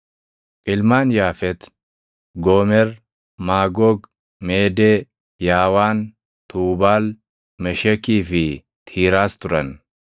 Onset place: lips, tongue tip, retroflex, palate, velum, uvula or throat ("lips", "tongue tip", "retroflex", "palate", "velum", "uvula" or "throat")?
throat